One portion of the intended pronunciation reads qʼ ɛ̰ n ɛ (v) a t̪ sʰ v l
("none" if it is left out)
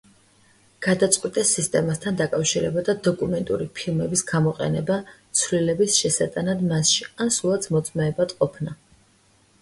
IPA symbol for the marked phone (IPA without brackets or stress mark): b